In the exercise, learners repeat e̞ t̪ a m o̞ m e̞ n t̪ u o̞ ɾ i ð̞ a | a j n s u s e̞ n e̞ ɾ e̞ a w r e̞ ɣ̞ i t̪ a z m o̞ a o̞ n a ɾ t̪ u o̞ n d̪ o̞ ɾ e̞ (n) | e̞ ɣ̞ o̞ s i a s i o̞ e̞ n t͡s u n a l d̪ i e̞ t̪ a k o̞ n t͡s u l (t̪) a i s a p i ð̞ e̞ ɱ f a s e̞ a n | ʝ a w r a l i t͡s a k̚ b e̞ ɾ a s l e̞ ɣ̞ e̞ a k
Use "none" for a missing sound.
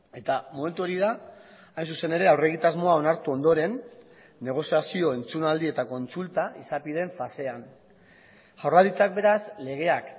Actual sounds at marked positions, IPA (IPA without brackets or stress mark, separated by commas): nː, t̪